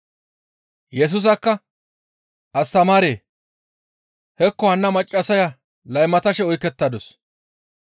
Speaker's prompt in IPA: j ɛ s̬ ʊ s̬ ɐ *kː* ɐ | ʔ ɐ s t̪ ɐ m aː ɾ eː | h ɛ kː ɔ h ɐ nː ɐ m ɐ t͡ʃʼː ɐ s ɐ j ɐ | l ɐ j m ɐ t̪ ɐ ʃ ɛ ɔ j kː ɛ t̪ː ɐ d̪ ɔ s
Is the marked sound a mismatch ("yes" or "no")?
no